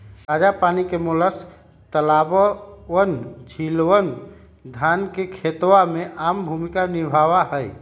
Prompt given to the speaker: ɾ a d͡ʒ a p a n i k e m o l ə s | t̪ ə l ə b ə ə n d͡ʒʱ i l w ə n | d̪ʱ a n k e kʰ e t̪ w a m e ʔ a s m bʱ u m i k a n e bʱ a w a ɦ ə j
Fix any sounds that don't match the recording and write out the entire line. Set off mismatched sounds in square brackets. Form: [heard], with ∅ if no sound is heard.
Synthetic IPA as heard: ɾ a d͡ʒ a p a n i k e m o l ə s | t̪ ə l [a] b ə ə n d͡ʒʱ i l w ə n | d̪ʱ a n k e kʰ e t̪ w a m e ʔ a [∅] m bʱ u m i k a n [i] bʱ a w a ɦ ə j